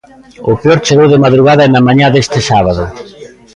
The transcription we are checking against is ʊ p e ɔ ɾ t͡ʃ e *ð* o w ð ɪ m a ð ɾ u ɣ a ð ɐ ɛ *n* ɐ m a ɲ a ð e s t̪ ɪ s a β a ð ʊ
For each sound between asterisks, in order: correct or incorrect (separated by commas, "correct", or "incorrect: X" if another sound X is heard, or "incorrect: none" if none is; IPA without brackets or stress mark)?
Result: incorrect: ɣ, correct